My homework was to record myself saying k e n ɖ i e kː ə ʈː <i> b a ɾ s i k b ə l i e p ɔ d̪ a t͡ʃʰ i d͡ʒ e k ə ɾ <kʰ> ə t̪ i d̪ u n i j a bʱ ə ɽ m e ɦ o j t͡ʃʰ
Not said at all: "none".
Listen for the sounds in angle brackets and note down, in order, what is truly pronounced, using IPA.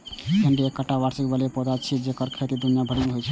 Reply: a, kʰ

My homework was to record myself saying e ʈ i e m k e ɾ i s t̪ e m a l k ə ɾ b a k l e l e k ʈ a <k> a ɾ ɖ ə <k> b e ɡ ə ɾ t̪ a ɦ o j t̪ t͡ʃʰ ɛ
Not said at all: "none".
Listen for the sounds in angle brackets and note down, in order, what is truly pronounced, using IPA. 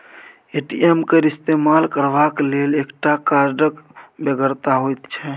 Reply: k, k

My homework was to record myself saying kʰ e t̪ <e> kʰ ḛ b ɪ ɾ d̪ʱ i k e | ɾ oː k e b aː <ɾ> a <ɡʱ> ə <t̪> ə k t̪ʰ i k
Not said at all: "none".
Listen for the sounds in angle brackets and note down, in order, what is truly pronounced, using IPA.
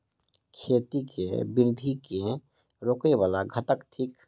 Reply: i, l, ɡʱ, t̪

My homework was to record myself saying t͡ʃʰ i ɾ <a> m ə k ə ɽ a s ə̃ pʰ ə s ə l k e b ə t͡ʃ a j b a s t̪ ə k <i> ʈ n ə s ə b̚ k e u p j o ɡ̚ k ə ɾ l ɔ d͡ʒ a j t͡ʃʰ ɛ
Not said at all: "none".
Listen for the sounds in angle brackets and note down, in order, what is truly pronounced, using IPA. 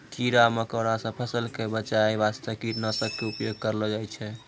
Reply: a, i

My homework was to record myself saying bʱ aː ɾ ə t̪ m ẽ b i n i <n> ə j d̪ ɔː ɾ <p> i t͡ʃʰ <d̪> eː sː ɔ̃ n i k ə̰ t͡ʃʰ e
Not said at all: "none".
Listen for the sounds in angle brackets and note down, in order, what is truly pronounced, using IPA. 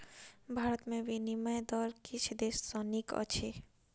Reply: m, k, d̪

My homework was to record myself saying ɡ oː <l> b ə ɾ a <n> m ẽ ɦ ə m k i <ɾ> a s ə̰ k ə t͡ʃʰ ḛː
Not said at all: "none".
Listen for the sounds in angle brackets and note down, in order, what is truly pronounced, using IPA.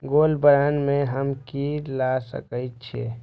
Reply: l, n, l

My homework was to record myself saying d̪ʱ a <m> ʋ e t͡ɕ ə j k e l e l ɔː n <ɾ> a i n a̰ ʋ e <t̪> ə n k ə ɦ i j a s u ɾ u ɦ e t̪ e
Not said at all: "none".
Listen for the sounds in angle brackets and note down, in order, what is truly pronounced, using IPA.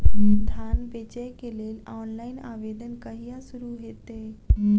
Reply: n, l, d̪

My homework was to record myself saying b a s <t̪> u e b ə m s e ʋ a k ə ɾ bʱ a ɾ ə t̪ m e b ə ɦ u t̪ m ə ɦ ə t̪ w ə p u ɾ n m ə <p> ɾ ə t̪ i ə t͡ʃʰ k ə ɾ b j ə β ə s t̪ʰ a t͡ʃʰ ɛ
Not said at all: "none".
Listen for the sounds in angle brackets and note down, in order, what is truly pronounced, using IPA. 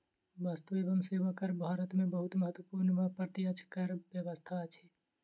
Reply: t̪, p

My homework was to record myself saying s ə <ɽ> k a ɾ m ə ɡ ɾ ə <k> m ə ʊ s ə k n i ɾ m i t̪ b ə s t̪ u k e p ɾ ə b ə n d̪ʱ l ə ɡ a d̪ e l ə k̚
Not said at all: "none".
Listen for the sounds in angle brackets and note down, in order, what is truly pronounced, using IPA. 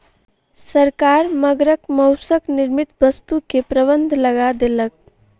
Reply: ɾ, k

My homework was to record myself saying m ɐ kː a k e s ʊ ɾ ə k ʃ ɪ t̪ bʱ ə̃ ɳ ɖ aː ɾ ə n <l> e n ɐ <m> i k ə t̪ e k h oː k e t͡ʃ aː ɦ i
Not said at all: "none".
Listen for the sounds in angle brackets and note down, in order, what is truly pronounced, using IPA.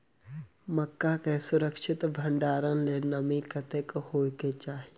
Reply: l, m

